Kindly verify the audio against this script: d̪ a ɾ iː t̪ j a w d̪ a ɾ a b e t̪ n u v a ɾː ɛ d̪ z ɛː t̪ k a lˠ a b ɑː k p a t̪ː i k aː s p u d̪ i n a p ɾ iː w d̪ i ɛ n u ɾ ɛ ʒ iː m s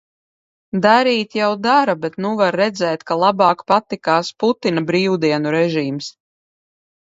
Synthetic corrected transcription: d̪ a ɾ iː t̪ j a w d̪ a ɾ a b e t̪ n u v a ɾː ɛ d̪ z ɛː t̪ k a lˠ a b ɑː k p a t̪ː i k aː s p u t̪ i n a b ɾ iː w d̪ i ɛ n u ɾ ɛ ʒ iː m s